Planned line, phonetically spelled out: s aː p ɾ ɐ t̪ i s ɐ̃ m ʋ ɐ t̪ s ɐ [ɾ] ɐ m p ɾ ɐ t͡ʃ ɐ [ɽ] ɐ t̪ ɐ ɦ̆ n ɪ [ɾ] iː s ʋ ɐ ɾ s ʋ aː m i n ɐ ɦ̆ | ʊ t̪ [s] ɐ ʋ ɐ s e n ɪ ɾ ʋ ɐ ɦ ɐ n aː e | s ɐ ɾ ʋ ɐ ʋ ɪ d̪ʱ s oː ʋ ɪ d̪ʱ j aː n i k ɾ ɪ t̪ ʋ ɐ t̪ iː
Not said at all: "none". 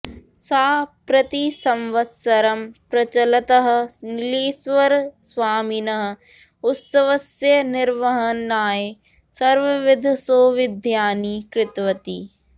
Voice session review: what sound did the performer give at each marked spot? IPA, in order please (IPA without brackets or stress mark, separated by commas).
ɾ, l, l, s